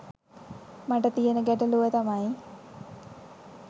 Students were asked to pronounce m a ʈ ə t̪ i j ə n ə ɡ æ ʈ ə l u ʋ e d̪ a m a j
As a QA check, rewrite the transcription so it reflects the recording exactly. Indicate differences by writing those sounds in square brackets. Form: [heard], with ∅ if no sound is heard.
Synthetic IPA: m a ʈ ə t̪ i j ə n ə ɡ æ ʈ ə l u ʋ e [t̪] a m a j